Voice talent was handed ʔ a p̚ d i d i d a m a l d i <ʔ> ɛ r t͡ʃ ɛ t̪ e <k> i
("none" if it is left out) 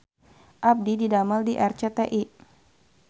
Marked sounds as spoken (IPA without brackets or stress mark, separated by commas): ʔ, ʔ